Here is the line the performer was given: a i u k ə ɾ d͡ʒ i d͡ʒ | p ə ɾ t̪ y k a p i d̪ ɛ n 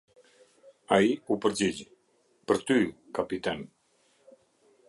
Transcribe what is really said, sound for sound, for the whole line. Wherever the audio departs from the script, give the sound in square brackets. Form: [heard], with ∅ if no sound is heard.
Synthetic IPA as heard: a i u [p] ə ɾ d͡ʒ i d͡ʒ | p ə ɾ t̪ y k a p i [t̪] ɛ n